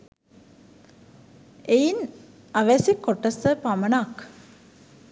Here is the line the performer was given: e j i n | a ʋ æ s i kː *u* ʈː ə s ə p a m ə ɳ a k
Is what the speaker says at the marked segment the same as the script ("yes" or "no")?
no